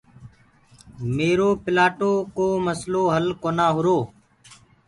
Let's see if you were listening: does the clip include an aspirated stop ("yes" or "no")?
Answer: no